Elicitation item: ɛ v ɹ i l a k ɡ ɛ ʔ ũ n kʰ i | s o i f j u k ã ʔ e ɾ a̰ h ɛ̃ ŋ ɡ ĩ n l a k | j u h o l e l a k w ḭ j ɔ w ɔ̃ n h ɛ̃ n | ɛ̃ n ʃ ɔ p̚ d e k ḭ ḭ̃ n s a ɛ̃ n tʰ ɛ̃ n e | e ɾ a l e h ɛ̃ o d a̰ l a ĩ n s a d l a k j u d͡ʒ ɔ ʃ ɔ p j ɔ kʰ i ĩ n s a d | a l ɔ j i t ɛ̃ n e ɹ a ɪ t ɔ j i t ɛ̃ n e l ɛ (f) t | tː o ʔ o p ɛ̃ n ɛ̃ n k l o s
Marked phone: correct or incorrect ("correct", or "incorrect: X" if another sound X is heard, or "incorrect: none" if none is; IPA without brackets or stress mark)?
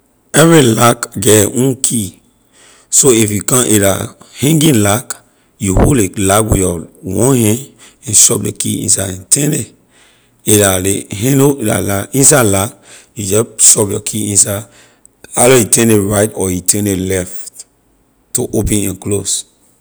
correct